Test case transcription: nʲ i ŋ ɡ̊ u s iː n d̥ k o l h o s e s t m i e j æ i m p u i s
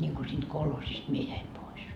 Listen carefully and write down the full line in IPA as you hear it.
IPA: nʲ i ŋ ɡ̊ u s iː n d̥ k o l h o s i s t m i e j æ i m p o i s